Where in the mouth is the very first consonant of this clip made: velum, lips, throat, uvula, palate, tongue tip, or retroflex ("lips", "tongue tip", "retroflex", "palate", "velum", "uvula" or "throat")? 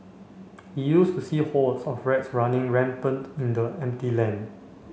throat